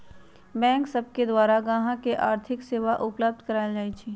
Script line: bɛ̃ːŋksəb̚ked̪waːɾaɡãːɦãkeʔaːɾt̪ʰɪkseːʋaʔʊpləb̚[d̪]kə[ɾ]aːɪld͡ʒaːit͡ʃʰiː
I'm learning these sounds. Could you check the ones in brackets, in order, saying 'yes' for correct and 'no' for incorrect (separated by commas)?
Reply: yes, yes